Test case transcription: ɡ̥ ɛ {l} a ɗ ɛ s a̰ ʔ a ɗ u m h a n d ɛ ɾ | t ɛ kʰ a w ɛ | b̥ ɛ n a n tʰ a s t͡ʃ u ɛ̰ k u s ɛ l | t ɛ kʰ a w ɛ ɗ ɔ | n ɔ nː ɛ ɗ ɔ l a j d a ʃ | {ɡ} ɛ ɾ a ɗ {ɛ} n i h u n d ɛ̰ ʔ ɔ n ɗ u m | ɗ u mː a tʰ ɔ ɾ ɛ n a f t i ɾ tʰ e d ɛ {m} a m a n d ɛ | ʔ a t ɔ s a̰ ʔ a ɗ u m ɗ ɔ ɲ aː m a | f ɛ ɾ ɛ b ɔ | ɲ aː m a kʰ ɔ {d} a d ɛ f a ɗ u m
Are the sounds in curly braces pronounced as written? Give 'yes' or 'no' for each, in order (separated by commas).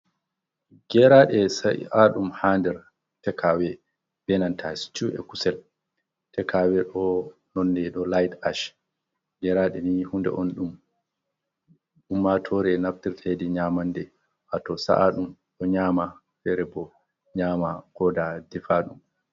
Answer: no, yes, yes, no, yes